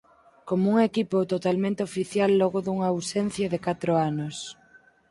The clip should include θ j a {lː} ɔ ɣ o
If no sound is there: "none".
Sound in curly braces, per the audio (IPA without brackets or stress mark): lː